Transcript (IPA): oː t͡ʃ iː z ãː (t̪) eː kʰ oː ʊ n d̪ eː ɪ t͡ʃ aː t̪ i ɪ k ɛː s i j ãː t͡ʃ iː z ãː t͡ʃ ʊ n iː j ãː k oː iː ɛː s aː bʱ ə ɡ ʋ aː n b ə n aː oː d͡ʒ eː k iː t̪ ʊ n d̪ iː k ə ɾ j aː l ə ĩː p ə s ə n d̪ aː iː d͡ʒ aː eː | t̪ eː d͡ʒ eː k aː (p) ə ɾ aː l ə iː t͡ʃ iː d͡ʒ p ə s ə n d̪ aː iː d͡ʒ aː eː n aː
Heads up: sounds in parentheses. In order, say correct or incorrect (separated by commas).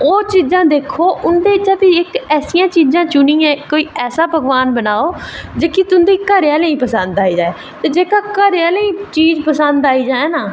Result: incorrect, incorrect